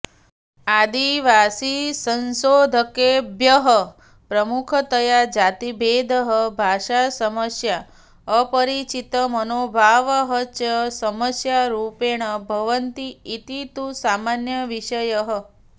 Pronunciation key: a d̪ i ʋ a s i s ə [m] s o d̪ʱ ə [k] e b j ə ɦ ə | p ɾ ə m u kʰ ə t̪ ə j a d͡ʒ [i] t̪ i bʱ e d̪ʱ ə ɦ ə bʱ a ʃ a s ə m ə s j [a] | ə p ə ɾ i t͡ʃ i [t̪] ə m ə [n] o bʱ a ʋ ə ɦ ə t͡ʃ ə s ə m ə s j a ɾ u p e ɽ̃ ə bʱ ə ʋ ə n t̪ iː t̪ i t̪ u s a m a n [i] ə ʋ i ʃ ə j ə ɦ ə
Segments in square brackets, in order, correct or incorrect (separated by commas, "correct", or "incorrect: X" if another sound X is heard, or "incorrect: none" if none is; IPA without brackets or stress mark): incorrect: n, correct, incorrect: a, correct, correct, correct, incorrect: j